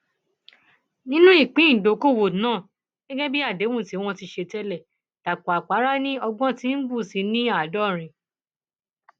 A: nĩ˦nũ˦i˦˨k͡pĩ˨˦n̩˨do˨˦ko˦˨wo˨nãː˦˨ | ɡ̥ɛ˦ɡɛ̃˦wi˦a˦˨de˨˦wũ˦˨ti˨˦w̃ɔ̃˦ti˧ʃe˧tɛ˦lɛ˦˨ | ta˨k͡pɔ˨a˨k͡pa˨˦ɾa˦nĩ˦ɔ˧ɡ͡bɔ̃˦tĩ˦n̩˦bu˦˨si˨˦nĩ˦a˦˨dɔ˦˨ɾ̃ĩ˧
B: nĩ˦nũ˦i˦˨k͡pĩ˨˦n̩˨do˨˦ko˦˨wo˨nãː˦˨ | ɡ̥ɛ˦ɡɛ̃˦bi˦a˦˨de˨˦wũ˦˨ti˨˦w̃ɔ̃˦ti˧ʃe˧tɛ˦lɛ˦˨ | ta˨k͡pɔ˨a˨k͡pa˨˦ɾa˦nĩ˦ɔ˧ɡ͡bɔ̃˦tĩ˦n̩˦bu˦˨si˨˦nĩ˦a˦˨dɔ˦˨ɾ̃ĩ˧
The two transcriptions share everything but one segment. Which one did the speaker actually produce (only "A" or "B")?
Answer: B